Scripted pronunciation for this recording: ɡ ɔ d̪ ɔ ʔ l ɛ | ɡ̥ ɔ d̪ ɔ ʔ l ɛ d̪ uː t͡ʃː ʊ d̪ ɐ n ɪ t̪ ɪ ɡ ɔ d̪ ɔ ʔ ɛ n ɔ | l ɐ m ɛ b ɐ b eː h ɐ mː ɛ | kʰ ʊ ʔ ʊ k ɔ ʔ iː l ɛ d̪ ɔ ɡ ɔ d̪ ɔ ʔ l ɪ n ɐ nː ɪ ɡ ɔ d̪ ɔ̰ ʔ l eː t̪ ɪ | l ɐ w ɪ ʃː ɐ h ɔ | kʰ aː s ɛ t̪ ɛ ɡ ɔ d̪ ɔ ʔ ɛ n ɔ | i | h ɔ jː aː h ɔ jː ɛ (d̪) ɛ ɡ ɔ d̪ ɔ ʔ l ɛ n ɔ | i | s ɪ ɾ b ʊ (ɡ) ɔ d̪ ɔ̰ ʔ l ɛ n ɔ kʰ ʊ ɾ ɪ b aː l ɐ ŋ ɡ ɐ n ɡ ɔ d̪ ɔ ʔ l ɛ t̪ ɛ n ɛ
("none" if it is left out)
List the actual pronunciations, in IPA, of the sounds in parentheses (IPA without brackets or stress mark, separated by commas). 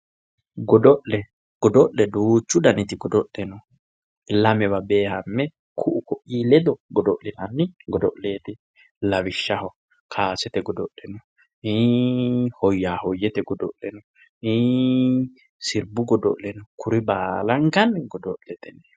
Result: t̪, ɡ